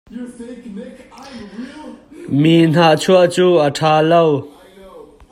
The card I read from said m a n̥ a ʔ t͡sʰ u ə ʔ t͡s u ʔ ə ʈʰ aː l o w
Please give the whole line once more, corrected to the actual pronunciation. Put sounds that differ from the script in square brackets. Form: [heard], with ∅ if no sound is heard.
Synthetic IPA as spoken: m [i] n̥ a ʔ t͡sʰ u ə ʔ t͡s u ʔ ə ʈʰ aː l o w